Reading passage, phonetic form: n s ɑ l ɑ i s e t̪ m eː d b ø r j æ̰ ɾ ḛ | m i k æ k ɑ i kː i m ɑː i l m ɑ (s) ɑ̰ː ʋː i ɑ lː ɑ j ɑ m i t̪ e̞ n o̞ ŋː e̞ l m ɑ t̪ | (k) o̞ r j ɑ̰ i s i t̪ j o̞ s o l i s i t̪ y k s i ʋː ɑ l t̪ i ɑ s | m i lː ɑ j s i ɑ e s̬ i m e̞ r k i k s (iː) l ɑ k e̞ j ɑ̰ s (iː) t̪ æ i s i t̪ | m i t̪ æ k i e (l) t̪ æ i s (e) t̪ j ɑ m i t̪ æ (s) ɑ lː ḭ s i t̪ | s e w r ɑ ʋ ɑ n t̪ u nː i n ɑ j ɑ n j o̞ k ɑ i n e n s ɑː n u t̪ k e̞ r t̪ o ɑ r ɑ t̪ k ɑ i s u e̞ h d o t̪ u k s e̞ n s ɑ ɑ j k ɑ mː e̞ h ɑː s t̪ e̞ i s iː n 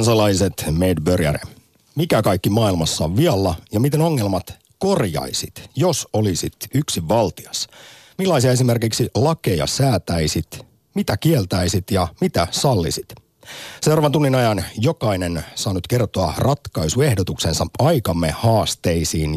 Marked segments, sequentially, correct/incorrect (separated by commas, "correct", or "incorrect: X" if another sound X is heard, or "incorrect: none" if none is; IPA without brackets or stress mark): incorrect: sː, correct, incorrect: i, incorrect: æː, correct, incorrect: i, correct